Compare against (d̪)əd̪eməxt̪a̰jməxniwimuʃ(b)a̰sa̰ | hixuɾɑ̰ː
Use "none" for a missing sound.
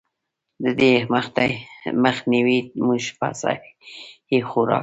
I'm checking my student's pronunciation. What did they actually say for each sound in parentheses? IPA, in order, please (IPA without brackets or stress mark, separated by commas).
d̪, p